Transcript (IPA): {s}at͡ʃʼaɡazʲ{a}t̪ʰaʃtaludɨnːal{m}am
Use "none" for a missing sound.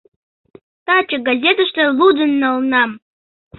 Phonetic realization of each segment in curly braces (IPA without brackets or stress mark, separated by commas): t, e, n